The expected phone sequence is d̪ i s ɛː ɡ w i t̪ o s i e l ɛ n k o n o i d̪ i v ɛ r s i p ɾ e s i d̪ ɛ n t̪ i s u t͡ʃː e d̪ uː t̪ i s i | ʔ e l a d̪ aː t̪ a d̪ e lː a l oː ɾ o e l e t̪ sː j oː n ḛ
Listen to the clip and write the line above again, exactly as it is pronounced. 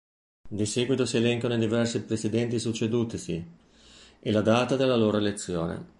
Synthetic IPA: d̪ i s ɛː ɡ w i t̪ o s i e l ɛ ŋ k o n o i d̪ i v ɛ r s i p ɾ e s i d̪ ɛ n t̪ i s u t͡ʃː e d̪ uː t̪ i s i | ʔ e l a d̪ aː t̪ a d̪ e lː a l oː ɾ o e l e t̪ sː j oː n ḛ